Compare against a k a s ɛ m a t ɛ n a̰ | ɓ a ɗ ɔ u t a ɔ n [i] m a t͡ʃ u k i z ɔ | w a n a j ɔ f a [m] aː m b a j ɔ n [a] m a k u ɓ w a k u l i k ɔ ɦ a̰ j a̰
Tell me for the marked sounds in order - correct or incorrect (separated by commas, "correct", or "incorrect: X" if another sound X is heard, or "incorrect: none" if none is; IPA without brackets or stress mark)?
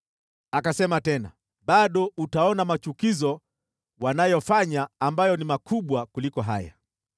incorrect: a, incorrect: ɲ, incorrect: i